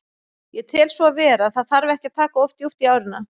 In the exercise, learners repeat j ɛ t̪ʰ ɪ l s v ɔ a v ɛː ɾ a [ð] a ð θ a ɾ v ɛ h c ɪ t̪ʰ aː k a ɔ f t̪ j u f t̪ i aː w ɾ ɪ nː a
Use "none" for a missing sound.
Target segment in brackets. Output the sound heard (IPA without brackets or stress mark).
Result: θ